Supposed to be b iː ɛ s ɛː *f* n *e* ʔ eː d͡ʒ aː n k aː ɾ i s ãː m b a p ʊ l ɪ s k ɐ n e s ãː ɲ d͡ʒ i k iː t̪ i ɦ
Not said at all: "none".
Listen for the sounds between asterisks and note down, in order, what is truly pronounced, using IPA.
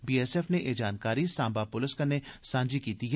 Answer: f, e

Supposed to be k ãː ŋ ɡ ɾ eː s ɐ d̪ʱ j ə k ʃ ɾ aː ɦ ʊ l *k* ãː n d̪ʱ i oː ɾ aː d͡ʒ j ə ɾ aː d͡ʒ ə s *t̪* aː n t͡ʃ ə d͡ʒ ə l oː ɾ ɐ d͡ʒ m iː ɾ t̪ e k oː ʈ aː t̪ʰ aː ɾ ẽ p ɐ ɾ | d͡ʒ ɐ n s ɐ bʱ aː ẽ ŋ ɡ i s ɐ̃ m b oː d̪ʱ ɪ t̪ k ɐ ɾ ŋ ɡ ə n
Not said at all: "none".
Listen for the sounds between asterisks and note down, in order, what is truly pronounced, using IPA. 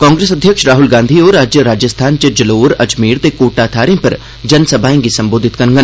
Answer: ɡ, t̪ʰ

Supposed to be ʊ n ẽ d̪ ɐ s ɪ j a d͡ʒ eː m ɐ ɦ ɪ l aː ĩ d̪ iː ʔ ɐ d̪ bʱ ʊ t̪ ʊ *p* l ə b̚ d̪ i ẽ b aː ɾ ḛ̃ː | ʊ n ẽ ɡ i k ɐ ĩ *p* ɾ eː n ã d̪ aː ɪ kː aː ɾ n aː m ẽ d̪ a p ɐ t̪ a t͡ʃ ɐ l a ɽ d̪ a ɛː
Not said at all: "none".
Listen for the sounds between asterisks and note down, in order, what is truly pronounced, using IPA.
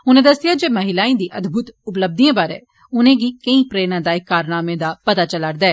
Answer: p, p

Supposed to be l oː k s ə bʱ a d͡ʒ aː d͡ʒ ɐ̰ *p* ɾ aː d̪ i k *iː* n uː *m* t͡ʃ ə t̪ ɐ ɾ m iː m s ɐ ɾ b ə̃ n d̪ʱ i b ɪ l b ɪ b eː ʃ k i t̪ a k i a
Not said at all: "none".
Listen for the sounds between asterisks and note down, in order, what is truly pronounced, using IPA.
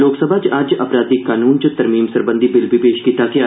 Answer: p, aː, n

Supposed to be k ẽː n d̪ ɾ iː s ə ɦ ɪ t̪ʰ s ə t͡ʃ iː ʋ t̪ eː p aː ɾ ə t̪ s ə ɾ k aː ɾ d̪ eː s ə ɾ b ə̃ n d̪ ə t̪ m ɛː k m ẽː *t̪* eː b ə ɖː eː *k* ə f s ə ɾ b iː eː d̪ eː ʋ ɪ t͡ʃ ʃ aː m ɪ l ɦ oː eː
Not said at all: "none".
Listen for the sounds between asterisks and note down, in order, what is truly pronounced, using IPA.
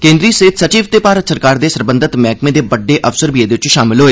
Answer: d̪, ʔ

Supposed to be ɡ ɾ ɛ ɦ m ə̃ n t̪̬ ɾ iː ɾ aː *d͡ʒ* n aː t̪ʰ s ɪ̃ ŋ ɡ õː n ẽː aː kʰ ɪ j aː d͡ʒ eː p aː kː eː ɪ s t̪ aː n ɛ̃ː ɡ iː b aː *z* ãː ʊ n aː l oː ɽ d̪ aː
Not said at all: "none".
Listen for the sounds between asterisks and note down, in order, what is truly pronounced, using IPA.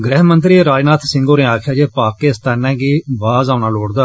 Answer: d͡ʒ, z

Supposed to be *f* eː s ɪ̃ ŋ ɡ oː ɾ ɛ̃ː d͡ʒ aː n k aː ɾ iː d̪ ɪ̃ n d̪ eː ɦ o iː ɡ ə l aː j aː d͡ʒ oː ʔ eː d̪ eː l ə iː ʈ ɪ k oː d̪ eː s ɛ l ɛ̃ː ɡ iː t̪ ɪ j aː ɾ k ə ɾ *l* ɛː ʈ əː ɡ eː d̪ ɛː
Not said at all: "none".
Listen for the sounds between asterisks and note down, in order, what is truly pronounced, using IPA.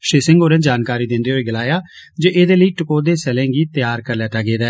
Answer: ʃ, l

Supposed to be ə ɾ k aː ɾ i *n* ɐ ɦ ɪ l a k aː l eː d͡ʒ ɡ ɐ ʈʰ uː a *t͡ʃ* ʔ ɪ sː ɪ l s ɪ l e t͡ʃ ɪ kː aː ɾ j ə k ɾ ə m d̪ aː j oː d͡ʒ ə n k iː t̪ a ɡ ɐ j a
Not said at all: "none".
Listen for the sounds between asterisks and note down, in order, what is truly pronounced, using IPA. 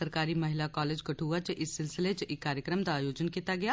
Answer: m, t͡ʃ

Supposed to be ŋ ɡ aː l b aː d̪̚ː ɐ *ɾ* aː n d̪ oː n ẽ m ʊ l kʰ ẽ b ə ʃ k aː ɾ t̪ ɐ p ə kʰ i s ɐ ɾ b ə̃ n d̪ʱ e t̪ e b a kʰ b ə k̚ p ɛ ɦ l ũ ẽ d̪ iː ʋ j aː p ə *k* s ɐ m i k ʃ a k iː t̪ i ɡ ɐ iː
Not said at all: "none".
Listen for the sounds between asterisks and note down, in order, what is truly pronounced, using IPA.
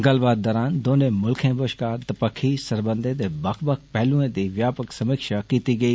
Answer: ɾ, k

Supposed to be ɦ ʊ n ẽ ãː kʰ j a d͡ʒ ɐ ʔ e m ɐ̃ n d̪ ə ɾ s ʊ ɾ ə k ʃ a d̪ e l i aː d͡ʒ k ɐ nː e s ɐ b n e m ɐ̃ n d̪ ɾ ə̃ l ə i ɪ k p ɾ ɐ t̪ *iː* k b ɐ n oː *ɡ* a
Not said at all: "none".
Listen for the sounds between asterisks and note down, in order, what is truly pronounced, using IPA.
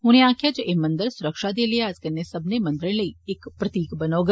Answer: iː, ɡ

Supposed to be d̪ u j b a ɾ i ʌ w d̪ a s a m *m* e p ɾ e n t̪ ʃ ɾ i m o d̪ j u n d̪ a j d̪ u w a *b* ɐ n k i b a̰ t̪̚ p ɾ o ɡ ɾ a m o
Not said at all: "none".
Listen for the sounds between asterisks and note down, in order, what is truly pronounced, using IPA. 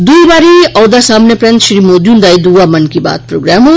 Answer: n, m

